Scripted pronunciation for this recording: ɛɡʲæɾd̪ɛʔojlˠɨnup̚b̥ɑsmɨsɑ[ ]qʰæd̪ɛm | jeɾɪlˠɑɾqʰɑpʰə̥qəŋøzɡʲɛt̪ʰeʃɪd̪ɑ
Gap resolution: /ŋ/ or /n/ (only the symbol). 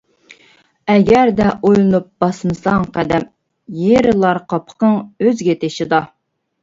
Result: ŋ